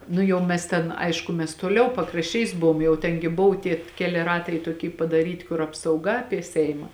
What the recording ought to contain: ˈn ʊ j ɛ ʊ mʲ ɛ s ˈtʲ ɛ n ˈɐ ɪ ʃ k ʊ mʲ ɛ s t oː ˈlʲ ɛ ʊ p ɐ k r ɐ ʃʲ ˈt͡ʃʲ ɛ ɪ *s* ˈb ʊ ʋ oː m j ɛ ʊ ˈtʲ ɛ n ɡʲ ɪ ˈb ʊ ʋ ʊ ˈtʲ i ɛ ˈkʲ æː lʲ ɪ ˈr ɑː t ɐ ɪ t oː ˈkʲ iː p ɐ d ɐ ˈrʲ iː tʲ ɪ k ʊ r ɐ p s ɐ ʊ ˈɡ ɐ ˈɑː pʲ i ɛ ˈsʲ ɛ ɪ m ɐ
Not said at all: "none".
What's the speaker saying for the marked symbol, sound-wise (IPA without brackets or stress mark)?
s